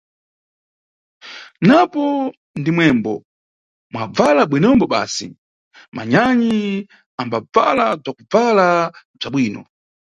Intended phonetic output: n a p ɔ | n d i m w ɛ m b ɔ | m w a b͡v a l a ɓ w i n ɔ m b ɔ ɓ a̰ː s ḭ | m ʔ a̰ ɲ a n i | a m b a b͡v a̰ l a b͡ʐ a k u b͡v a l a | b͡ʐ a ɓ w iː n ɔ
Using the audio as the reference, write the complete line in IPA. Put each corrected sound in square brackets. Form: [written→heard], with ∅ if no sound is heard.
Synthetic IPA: n a p ɔ | n d i m w ɛ m b ɔ | m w a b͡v a l a ɓ w i n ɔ m b ɔ ɓ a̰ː s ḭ | m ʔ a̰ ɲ a [n→ɲ] i | a m b a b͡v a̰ l a b͡ʐ a k u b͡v a l a | b͡ʐ a ɓ w iː n ɔ